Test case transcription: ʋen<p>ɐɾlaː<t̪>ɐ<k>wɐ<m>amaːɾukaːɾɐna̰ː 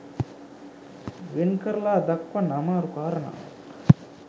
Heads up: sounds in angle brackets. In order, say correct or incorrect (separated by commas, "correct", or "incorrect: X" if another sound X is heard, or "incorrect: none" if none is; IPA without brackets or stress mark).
incorrect: k, incorrect: d̪, correct, incorrect: n